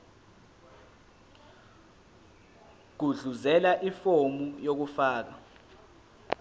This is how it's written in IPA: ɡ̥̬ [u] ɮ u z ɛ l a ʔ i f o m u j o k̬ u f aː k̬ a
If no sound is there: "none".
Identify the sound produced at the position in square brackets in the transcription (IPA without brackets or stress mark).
u